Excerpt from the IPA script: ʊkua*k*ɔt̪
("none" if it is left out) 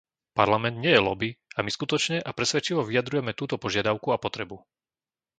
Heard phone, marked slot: p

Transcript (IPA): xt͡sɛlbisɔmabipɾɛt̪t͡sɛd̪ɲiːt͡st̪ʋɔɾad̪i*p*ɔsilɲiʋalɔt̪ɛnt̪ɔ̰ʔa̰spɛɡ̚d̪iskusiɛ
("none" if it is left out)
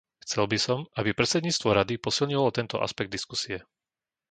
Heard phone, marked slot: p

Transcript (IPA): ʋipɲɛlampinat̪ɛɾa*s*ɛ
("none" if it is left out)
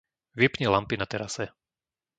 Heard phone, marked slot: s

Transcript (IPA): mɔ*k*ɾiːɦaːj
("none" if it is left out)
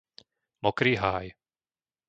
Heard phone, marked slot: k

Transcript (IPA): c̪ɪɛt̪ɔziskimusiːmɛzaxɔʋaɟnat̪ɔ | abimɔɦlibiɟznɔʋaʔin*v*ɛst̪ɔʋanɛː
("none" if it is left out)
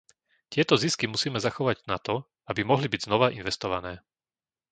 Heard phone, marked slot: ʋ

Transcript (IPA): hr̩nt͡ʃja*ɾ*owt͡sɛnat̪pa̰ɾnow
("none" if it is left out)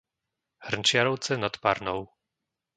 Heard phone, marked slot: ɾ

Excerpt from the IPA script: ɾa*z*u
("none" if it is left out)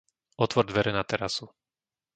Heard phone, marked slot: s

